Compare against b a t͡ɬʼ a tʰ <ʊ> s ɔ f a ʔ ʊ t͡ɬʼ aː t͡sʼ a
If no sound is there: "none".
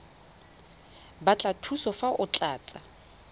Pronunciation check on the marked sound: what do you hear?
u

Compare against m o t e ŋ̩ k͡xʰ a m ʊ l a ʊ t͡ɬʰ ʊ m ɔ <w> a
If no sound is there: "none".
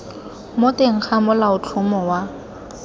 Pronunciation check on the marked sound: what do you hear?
w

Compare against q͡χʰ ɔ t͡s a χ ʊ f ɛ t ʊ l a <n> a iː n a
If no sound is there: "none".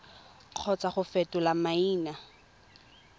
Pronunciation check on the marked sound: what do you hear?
m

